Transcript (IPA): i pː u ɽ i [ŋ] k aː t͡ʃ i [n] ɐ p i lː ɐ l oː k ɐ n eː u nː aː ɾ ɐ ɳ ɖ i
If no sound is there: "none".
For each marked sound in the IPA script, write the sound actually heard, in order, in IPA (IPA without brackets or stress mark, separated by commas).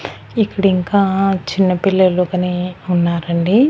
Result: ŋ, nː